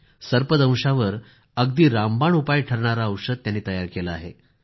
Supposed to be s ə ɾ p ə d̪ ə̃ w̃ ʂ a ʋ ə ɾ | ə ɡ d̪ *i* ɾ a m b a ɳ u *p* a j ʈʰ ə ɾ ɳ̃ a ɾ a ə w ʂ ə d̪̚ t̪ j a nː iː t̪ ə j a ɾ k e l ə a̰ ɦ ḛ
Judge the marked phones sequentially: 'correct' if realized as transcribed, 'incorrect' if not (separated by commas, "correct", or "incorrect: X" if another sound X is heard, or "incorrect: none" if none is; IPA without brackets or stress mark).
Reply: incorrect: iː, correct